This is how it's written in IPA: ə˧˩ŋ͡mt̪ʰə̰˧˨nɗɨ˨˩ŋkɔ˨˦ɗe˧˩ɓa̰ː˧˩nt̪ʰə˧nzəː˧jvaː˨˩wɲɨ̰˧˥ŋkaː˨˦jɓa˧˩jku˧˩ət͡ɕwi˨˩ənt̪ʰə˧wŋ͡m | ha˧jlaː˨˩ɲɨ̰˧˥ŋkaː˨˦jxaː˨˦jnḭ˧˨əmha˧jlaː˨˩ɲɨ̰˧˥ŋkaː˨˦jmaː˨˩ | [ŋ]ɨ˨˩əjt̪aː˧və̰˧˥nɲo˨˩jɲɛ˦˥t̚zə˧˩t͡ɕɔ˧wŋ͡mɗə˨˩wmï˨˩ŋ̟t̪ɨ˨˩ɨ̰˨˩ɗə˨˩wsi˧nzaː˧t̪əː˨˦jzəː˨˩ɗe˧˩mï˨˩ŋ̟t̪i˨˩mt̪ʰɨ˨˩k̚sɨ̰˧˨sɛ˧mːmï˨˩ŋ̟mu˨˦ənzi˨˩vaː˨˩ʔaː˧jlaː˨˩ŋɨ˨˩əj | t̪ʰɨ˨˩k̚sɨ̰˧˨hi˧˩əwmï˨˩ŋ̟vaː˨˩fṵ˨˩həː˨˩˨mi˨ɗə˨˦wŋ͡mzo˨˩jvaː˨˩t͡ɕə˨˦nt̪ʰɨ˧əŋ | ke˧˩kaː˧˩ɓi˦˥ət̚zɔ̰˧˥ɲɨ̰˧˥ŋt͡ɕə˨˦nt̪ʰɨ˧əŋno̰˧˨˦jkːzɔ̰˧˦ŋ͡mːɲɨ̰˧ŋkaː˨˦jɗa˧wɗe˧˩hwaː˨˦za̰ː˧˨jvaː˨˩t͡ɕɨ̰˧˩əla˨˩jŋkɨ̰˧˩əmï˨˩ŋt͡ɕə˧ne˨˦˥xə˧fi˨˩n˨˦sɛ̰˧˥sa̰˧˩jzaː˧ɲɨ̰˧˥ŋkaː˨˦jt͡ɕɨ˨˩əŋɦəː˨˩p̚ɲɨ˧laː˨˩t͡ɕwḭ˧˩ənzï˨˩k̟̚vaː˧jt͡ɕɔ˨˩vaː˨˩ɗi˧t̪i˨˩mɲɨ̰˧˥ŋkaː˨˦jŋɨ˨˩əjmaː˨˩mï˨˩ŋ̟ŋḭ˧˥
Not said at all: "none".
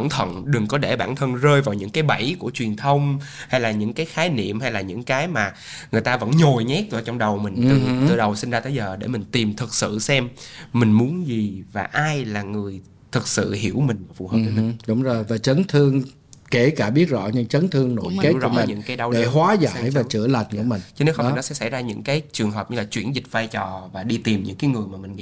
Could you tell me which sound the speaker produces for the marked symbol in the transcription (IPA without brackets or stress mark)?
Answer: ŋ